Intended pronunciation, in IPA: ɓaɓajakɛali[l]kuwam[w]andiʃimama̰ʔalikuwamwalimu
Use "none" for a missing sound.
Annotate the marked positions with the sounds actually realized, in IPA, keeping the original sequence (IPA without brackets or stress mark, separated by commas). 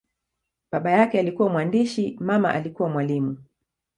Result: none, w